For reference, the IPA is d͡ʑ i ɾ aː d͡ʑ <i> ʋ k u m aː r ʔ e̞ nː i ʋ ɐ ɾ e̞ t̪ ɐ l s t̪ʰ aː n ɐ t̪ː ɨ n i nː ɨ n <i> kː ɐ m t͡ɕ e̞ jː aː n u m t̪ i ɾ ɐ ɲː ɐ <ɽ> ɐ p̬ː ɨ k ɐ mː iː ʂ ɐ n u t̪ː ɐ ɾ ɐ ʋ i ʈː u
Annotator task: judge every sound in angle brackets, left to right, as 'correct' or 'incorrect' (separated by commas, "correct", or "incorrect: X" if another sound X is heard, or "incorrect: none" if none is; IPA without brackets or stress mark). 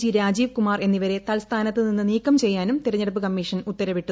incorrect: iː, incorrect: iː, correct